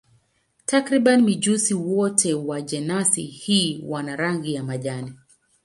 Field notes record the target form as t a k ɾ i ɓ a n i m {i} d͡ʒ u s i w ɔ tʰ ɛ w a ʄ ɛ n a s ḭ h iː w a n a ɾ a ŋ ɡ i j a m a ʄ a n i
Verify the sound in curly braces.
correct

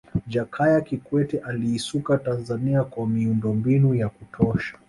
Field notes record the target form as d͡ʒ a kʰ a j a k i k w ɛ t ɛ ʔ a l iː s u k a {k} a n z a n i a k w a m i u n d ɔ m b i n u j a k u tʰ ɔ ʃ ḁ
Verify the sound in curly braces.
incorrect: t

